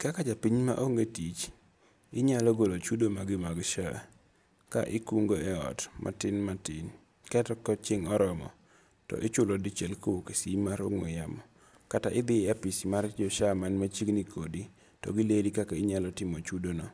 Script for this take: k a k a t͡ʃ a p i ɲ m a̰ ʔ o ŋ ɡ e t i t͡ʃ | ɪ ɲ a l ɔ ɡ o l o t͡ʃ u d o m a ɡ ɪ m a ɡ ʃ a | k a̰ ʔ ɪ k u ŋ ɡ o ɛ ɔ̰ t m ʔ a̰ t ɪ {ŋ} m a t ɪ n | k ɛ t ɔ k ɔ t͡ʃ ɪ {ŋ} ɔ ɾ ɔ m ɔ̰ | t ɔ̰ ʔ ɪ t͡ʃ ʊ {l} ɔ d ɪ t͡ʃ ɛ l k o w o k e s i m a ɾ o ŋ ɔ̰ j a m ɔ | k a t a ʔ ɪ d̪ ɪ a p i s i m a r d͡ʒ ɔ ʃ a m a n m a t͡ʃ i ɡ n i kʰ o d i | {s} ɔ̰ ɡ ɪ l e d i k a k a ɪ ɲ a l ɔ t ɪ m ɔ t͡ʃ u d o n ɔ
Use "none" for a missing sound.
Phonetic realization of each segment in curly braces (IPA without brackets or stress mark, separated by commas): n, ŋ, l, t